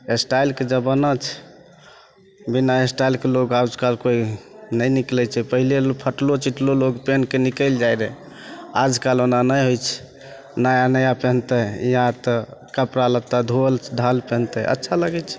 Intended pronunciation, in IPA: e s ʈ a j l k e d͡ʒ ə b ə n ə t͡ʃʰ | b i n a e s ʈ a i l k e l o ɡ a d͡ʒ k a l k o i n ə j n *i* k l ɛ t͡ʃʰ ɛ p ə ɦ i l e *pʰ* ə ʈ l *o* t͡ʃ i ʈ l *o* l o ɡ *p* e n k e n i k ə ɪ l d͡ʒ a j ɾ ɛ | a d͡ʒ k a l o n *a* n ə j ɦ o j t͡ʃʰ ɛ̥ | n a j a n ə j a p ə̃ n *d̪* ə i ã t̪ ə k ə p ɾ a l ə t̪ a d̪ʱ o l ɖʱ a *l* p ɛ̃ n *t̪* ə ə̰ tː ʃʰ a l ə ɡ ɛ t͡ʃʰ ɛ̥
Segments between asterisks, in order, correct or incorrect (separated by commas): correct, correct, correct, correct, correct, correct, incorrect, correct, correct